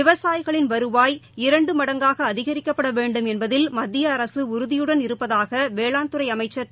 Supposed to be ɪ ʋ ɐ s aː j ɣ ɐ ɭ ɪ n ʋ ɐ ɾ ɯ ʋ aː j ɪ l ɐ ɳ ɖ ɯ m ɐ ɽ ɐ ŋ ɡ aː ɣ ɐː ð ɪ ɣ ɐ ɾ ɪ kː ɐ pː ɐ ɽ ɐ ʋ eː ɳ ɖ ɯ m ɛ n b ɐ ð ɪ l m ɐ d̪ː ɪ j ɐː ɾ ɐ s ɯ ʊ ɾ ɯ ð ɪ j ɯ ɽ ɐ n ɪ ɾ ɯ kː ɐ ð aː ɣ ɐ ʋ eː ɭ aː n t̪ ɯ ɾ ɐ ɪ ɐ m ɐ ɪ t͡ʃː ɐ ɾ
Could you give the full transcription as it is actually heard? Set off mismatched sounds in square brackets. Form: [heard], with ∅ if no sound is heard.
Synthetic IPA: ɪ ʋ ɐ s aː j ɣ ɐ ɭ ɪ n ʋ ɐ ɾ ɯ ʋ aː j ɪ [ɾ] ɐ ɳ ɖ ɯ m ɐ ɽ ɐ ŋ ɡ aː ɣ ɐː ð ɪ ɣ ɐ ɾ ɪ kː ɐ pː ɐ ɽ ɐ ʋ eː ɳ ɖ ɯ m ɛ n b ɐ ð ɪ l m ɐ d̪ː ɪ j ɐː ɾ ɐ s ɯ ʊ ɾ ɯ ð ɪ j ɯ ɽ ɐ n ɪ ɾ ɯ [pː] ɐ ð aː ɣ ɐ ʋ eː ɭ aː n t̪ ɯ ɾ ɐ ɪ ɐ m ɐ ɪ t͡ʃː ɐ ɾ

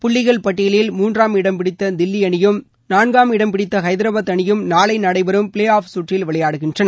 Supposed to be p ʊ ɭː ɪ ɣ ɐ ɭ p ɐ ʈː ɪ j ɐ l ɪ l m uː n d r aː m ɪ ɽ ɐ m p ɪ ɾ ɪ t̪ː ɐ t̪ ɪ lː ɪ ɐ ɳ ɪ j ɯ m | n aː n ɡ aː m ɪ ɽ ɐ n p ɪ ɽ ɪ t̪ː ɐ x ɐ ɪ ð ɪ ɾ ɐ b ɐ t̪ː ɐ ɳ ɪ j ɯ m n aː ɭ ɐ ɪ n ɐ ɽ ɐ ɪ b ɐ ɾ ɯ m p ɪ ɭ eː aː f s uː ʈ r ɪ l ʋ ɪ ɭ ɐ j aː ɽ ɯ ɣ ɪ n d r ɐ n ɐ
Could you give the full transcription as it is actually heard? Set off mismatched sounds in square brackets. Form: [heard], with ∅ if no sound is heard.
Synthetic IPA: p ʊ ɭː ɪ ɣ ɐ ɭ p ɐ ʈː ɪ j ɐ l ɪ l m uː n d r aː m ɪ ɽ ɐ m p ɪ [ɽ] ɪ t̪ː ɐ [d̪] ɪ lː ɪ ɐ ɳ ɪ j ɯ m | n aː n ɡ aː m ɪ ɽ ɐ [m] p ɪ ɽ ɪ t̪ː ɐ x ɐ ɪ ð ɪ ɾ ɐ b ɐ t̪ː ɐ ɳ ɪ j ɯ m n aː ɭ ɐ ɪ n ɐ ɽ ɐ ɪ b ɐ ɾ ɯ m p ɪ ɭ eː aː f s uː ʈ r ɪ l ʋ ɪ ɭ ɐ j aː ɽ ɯ ɣ ɪ n d r ɐ n ɐ

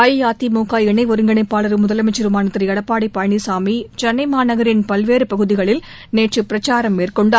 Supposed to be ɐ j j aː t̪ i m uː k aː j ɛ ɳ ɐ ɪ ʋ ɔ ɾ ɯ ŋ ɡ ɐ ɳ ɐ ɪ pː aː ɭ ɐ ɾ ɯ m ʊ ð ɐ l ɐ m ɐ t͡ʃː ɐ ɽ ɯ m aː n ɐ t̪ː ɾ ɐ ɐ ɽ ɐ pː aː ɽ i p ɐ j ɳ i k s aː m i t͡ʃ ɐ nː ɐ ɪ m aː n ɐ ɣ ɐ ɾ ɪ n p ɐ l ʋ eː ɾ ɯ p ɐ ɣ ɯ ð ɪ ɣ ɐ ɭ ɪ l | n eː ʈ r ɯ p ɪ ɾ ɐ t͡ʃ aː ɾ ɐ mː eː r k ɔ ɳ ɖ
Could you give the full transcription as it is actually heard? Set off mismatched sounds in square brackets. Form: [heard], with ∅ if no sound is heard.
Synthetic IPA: ɐ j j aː t̪ i m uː k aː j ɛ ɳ ɐ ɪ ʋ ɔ ɾ ɯ ŋ ɡ ɐ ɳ ɐ ɪ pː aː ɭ ɐ ɾ ɯ m ʊ ð ɐ l ɐ m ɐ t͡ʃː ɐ [ɾ] ɯ m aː n ɐ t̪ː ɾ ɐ ɐ ɽ ɐ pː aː ɽ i p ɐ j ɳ i [∅] s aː m i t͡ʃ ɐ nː ɐ ɪ m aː n ɐ ɣ ɐ ɾ ɪ n p ɐ l ʋ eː ɾ ɯ p ɐ ɣ ɯ ð ɪ ɣ ɐ ɭ ɪ l | n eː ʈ r ɯ p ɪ ɾ ɐ t͡ʃ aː ɾ ɐ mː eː r k ɔ ɳ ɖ

